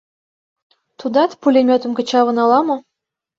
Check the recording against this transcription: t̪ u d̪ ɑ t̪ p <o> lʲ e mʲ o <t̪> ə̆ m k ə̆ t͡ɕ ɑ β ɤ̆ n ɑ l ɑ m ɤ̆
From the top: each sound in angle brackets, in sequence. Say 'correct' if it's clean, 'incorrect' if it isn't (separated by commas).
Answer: incorrect, correct